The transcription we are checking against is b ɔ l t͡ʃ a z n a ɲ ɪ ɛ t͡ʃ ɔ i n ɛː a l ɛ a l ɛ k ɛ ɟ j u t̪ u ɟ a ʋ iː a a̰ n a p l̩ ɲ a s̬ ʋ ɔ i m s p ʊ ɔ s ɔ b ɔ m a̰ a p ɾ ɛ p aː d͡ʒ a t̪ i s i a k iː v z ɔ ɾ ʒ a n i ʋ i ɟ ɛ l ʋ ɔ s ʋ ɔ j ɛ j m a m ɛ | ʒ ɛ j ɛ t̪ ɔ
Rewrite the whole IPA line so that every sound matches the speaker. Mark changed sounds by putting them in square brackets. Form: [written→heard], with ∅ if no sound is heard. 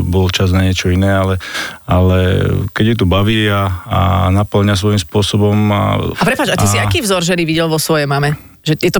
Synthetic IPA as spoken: b ɔ l t͡ʃ a z n a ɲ ɪ ɛ t͡ʃ ɔ i n ɛː a l ɛ a l ɛ k ɛ ɟ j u t̪ u [ɟ→b] a ʋ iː a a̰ n a p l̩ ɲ a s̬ ʋ ɔ i m s p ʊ ɔ s ɔ b ɔ m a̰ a p ɾ ɛ p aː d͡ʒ a t̪ i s i a k iː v z ɔ ɾ ʒ [a→ɛ] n i ʋ i ɟ ɛ l ʋ ɔ s ʋ ɔ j ɛ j m a m ɛ | ʒ ɛ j ɛ t̪ ɔ